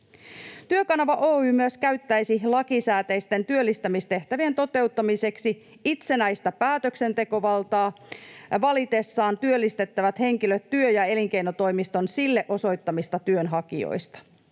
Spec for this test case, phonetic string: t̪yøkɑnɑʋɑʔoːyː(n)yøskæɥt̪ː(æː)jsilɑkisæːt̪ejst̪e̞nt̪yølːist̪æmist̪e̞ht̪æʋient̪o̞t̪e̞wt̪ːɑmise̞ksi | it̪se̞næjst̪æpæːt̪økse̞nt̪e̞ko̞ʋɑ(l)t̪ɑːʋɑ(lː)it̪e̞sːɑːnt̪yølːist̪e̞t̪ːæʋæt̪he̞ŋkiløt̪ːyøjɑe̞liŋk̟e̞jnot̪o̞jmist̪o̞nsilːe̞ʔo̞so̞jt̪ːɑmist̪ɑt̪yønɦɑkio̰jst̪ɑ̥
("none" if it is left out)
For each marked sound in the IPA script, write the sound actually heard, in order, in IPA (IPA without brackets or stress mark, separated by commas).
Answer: m, æ, l, l